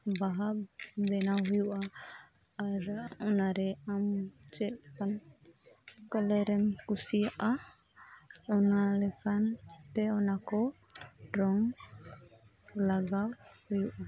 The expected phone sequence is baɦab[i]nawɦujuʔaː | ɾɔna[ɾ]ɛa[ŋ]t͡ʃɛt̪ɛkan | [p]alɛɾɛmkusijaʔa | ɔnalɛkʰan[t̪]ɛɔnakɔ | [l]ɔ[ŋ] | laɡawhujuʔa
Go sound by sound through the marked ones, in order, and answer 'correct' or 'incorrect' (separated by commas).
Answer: incorrect, correct, incorrect, incorrect, correct, incorrect, correct